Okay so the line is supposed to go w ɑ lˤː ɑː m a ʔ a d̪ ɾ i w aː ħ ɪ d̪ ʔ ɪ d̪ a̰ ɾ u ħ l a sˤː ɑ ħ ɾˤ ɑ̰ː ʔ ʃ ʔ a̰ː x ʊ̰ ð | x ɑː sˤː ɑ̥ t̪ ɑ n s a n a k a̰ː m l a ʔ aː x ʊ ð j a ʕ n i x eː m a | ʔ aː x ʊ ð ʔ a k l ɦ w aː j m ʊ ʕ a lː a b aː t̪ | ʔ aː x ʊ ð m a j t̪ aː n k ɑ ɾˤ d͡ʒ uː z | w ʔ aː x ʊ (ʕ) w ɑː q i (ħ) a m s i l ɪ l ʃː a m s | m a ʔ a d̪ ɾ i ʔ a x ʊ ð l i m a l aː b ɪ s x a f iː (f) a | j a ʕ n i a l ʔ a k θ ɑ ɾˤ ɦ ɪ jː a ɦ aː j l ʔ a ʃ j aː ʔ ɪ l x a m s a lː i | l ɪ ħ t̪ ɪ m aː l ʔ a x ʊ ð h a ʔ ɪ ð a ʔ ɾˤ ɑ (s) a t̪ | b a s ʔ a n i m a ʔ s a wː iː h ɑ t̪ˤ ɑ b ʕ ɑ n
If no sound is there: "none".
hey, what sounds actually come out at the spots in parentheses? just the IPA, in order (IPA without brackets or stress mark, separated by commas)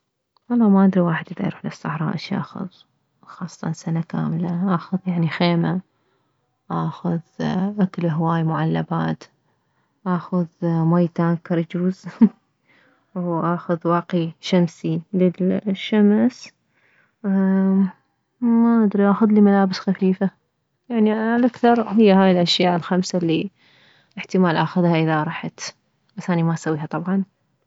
ð, ʃ, f, ħ